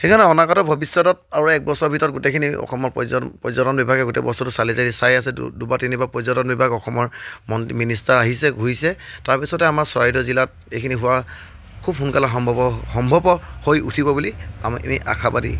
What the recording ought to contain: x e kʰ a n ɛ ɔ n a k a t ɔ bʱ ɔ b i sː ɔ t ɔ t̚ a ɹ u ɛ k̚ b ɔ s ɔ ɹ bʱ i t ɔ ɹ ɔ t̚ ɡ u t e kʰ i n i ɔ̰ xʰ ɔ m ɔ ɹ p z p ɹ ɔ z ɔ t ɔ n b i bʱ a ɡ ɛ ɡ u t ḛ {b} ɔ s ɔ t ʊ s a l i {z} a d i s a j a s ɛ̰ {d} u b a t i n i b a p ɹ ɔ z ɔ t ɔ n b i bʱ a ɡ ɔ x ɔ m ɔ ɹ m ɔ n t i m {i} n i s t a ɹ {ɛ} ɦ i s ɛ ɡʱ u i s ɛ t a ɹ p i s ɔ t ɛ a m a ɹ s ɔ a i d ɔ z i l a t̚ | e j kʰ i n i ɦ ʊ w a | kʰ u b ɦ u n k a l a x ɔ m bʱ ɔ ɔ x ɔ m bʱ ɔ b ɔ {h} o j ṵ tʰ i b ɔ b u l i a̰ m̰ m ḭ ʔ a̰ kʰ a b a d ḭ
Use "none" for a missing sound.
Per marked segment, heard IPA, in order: b, z, d, i, a, h

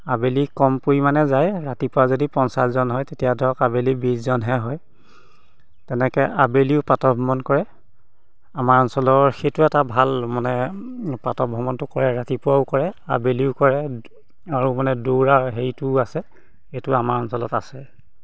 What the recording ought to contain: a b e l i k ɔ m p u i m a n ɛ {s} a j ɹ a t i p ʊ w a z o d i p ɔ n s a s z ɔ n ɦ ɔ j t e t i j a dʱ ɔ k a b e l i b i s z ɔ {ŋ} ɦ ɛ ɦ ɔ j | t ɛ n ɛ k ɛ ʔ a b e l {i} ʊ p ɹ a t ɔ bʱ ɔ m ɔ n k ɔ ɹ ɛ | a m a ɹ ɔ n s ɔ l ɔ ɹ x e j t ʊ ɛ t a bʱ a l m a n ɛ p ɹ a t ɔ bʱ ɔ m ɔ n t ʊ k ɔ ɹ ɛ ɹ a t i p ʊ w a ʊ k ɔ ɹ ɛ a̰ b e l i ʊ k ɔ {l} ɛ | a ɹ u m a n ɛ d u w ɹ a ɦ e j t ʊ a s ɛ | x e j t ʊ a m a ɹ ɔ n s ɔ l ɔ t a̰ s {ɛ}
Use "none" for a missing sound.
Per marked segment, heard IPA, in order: z, n, i, ɹ, ɛ

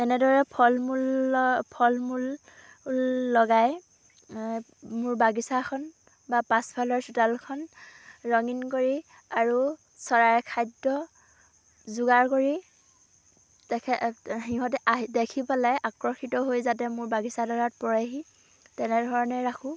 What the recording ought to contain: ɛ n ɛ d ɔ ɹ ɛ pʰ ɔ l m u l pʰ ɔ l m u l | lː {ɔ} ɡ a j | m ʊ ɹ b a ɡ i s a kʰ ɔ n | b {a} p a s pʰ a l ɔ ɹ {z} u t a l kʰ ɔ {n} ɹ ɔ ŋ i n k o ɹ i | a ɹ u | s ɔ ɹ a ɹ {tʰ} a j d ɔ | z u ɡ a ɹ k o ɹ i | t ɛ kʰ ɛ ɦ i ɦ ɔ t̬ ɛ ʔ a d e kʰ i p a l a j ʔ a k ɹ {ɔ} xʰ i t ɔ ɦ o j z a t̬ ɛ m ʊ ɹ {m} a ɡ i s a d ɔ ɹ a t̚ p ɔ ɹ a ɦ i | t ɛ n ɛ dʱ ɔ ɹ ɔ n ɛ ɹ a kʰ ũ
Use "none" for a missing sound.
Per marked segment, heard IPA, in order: ɔ, a, s, n, kʰ, ɔ, b

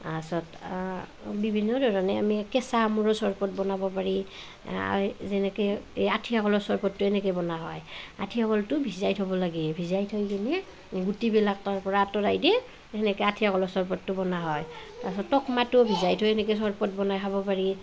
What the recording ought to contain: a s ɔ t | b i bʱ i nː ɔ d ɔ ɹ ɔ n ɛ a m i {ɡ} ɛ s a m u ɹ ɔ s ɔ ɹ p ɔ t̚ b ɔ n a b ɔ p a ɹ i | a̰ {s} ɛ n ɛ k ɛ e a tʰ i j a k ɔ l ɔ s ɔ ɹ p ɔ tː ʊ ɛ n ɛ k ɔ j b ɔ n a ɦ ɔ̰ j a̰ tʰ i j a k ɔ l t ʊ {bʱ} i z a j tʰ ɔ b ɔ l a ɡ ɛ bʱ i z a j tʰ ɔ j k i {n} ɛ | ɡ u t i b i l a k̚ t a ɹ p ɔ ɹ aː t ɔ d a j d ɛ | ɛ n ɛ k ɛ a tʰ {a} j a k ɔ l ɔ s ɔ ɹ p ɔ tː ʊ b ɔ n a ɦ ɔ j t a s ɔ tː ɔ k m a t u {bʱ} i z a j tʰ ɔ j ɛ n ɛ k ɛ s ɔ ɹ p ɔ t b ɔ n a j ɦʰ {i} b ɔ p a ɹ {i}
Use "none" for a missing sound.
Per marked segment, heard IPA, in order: k, z, bʱ, n, i, bʱ, a, i

